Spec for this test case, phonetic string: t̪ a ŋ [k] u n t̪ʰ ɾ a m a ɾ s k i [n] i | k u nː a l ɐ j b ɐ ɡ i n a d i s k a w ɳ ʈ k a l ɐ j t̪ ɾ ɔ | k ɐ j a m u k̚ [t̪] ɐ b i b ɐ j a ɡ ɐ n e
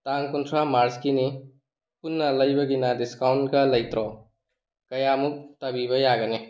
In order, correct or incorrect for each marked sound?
correct, correct, correct

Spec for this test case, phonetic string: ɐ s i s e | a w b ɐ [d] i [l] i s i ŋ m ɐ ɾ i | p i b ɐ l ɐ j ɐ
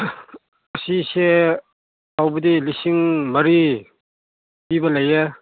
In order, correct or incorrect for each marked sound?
correct, correct

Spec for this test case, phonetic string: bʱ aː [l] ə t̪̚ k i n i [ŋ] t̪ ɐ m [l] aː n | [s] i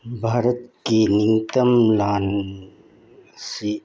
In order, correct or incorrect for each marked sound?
incorrect: ɾ, correct, correct, correct

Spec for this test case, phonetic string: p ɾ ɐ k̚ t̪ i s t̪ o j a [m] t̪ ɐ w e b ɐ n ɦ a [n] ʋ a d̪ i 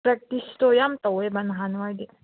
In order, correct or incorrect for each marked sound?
correct, correct

